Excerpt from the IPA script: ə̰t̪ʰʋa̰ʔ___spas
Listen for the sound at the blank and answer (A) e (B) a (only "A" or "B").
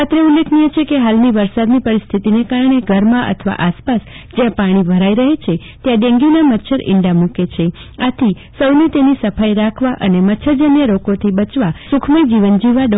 B